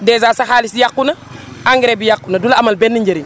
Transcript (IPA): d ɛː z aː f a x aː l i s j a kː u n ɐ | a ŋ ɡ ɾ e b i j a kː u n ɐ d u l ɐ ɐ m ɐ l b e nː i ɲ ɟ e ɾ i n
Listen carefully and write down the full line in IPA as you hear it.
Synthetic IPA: d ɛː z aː s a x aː l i s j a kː u n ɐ | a ŋ ɡ ɾ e b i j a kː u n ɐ d u l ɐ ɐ m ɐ l b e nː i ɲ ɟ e ɾ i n